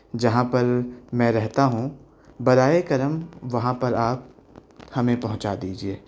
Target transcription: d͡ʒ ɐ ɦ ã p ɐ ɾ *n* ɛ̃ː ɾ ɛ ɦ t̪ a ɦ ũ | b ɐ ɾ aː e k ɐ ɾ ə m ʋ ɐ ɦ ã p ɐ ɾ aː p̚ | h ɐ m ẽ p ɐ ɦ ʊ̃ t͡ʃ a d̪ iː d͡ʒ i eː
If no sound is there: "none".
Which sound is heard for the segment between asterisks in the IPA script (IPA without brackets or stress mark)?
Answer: m